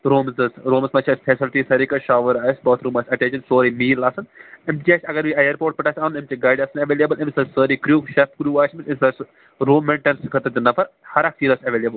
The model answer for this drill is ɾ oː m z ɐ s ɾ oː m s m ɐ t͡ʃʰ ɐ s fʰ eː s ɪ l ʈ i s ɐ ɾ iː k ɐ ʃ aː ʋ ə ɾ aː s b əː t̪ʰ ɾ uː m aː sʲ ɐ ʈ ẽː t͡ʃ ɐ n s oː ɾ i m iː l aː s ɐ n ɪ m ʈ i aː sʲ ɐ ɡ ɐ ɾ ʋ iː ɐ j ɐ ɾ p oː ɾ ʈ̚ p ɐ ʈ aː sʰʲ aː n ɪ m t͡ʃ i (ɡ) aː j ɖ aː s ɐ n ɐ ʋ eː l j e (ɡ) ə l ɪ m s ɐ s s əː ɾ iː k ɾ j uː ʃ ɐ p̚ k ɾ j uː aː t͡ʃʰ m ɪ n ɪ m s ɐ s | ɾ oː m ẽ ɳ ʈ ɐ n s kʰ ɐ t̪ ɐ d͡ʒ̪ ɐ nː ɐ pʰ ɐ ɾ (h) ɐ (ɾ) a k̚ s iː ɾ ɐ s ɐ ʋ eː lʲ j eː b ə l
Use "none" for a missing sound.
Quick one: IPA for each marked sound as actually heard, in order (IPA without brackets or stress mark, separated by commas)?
ɡ, b, h, ɾ